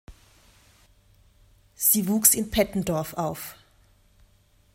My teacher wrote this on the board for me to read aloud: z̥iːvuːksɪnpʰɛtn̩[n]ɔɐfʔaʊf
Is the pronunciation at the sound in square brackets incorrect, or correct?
incorrect: d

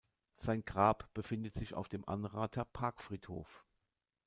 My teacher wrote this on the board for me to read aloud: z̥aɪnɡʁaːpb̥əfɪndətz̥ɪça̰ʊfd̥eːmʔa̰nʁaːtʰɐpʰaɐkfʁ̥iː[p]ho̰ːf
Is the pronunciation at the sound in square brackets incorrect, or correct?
incorrect: t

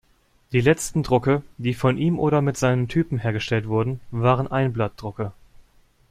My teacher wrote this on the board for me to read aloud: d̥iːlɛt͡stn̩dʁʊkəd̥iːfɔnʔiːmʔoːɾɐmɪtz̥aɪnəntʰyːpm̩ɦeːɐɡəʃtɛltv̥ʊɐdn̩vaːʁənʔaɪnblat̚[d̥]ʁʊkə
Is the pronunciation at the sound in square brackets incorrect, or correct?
correct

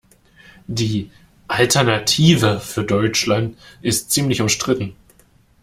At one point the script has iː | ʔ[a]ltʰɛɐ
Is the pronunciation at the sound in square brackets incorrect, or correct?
correct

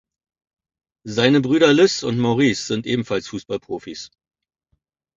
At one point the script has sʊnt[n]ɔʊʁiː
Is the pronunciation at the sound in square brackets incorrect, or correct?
incorrect: m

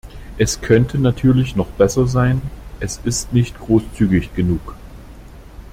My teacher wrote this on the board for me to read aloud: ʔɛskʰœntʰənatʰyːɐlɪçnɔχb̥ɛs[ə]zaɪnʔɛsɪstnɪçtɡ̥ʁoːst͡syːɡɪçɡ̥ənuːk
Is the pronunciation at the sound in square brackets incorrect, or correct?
incorrect: ɐ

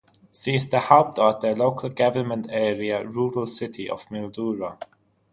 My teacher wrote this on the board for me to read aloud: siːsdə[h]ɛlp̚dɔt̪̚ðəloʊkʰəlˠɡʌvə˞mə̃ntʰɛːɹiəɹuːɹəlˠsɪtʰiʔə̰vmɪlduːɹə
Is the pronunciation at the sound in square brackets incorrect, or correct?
correct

